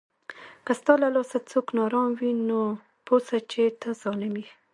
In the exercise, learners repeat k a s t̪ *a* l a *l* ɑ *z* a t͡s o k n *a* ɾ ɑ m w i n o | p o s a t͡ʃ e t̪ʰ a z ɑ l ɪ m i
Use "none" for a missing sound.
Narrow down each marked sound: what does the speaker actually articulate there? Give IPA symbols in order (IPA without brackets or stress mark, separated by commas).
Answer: ɑ, l, s, ɑ